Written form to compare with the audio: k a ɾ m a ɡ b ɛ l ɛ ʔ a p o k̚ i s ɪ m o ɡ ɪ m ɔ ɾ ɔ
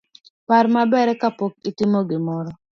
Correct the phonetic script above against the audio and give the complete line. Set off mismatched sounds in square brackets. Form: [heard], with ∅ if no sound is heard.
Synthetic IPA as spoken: [p] a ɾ m a [∅] b ɛ [ɾ] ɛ [k] a p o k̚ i [t] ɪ m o ɡ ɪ m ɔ ɾ ɔ